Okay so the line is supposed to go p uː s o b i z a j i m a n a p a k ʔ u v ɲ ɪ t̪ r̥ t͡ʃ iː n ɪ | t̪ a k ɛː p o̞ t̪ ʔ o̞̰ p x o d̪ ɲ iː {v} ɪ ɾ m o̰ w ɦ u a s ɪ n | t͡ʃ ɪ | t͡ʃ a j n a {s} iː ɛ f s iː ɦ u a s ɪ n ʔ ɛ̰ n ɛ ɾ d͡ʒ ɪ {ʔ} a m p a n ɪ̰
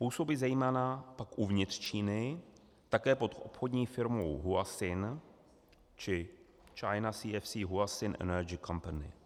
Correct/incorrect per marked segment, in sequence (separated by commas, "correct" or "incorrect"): incorrect, correct, incorrect